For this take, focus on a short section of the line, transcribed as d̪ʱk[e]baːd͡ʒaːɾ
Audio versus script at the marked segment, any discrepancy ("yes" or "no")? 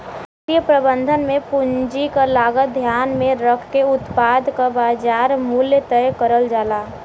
yes